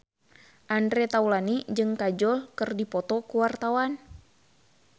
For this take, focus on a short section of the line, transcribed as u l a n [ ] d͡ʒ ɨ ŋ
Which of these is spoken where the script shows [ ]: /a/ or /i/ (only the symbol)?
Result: i